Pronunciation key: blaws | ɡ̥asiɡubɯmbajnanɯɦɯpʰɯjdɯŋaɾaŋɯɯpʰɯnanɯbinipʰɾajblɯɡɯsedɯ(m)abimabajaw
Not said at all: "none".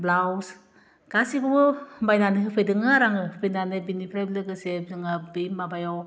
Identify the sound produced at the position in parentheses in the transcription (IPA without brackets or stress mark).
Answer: ŋ